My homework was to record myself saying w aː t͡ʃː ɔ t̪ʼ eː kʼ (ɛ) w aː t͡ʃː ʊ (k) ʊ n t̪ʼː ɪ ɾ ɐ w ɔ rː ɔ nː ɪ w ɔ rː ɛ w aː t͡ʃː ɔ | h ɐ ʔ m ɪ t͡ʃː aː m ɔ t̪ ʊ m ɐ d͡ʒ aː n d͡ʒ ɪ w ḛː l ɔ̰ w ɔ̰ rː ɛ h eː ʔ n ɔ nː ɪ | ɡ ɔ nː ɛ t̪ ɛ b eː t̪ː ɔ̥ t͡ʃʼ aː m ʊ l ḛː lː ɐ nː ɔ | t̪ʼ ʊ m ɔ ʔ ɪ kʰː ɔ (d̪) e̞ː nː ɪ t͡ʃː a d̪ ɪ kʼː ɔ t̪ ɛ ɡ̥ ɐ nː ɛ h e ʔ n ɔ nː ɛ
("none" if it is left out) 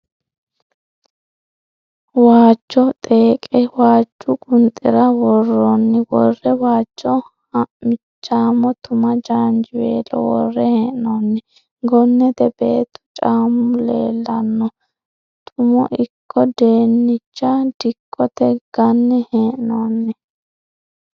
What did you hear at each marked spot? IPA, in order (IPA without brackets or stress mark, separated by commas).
ɛ, kʼ, d̪